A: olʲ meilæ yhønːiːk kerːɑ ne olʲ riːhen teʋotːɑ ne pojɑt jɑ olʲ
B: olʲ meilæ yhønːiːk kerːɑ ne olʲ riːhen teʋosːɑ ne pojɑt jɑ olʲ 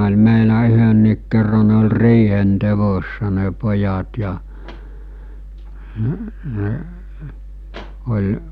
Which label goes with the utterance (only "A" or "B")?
B